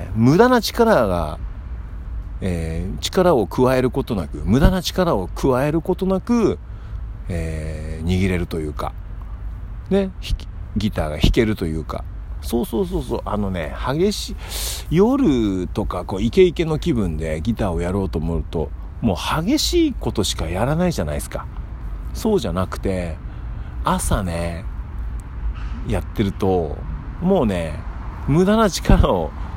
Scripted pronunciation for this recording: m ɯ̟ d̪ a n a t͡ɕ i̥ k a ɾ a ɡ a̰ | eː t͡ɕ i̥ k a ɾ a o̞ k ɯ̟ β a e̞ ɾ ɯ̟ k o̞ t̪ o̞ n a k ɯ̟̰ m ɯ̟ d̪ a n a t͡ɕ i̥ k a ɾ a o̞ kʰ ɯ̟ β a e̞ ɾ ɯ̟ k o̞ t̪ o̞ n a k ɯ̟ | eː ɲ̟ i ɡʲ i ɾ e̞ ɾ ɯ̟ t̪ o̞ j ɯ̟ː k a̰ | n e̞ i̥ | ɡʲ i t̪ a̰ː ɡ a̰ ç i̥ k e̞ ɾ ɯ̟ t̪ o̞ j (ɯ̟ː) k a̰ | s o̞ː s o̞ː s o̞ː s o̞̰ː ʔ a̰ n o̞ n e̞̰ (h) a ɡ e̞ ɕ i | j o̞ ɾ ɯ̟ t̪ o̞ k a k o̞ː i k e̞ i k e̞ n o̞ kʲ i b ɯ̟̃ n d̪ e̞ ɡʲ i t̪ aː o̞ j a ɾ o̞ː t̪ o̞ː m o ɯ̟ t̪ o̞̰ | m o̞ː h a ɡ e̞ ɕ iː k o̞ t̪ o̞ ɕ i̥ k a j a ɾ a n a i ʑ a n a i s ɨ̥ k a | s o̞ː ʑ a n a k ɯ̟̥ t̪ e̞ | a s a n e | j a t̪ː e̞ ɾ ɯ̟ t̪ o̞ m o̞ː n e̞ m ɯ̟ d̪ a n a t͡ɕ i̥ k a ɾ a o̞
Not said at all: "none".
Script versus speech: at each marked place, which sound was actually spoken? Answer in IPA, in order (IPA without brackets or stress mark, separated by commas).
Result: ɯ̟ː, h